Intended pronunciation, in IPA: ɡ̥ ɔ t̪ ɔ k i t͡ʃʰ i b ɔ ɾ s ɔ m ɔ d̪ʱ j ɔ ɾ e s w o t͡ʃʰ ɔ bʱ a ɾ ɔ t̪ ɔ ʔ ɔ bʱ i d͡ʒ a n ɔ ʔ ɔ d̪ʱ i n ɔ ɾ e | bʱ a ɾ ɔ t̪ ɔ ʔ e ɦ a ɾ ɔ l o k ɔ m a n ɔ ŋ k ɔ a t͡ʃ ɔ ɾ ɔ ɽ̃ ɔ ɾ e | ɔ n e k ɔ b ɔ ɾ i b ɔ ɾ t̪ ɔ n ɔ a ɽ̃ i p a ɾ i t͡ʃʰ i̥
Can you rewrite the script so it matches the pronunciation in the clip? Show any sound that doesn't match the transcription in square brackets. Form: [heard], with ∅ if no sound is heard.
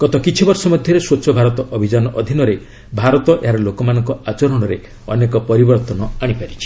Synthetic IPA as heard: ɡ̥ ɔ t̪ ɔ k i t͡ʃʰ i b ɔ ɾ s ɔ m ɔ d̪ʱ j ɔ ɾ e s w o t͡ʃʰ ɔ bʱ a ɾ ɔ t̪ ɔ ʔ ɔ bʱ i d͡ʒ a n ɔ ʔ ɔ d̪ʱ i n ɔ ɾ e | bʱ a ɾ ɔ t̪ ɔ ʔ e ɦ a ɾ ɔ l o k ɔ m a n ɔ ŋ k ɔ a t͡ʃ ɔ ɾ ɔ ɽ̃ ɔ ɾ e | ɔ n e k ɔ [p] ɔ ɾ i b ɔ ɾ t̪ ɔ n ɔ a ɽ̃ i p a ɾ i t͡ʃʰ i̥